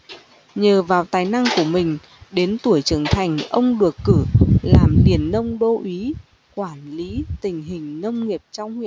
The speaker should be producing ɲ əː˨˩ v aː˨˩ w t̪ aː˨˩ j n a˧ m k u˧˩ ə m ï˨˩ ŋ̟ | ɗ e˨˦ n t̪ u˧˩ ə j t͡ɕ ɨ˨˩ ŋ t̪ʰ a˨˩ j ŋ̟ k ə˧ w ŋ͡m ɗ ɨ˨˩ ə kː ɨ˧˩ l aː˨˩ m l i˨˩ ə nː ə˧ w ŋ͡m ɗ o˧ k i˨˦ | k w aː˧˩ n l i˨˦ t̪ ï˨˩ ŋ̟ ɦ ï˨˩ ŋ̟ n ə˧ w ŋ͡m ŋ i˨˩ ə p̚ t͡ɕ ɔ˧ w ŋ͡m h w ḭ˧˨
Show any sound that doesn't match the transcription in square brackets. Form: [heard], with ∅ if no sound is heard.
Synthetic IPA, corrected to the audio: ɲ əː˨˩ v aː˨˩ w t̪ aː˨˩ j n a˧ [ŋ] k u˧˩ ə m ï˨˩ ŋ̟ | ɗ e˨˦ n t̪ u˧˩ ə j t͡ɕ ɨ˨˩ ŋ t̪ʰ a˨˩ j ŋ̟ [ʔ] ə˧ w ŋ͡m ɗ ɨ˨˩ ə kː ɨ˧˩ l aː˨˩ m l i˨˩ ə nː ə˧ w ŋ͡m ɗ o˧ [ʔ] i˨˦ | k w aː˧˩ n l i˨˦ t̪ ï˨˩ ŋ̟ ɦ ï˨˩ ŋ̟ n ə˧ w ŋ͡m ŋ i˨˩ ə p̚ t͡ɕ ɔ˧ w ŋ͡m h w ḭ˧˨